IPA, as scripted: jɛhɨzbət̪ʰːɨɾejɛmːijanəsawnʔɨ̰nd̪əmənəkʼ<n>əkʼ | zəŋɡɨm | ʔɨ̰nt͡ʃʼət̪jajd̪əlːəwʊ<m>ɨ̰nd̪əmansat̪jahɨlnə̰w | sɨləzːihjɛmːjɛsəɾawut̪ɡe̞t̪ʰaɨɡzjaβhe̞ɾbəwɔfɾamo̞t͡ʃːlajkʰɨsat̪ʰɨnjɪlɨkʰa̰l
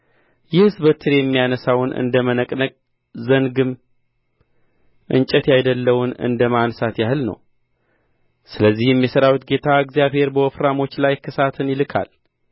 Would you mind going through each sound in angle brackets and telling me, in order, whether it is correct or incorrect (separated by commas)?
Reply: correct, incorrect